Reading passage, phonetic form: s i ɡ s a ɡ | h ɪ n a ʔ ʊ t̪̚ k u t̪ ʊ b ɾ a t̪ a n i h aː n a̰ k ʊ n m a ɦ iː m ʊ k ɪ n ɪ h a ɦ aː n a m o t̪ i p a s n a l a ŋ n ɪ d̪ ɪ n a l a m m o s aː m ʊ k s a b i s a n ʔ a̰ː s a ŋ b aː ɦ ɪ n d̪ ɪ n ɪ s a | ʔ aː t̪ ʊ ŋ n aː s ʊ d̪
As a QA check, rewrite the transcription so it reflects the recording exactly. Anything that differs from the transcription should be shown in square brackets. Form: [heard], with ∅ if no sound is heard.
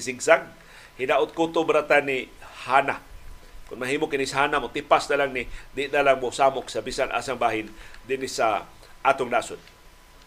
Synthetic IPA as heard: s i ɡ s a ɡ | h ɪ n a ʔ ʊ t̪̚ k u t̪ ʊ b ɾ a t̪ a n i h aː n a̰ k ʊ n m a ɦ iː m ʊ k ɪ n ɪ [s] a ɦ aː n a m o t̪ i p a s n a l a ŋ n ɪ d̪ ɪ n a l a [ŋ] m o s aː m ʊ k s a b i s a n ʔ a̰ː s a ŋ b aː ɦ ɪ n d̪ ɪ n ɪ s a | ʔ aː t̪ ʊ ŋ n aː s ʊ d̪